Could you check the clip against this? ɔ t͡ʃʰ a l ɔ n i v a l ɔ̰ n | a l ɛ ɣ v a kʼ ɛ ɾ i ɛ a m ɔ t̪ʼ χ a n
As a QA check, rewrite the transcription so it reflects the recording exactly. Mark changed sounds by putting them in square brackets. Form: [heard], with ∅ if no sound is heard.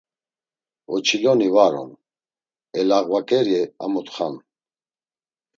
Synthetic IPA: ɔ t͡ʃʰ [i] l ɔ n i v a [ɾ] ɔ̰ n | [ɛ] l [a] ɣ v a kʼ ɛ ɾ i ɛ a m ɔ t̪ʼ χ a n